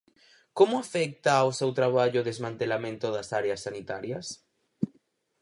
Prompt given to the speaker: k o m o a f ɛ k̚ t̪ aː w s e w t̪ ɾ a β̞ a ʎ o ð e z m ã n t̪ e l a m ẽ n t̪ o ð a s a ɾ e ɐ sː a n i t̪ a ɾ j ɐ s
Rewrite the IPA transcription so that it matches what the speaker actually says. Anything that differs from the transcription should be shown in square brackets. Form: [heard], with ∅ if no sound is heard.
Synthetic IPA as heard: k o m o a f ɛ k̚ t̪ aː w s e w t̪ ɾ a β̞ a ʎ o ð e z m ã n t̪ e l a m ẽ n t̪ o ð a s a ɾ e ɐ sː a n i t̪ a ɾ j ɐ s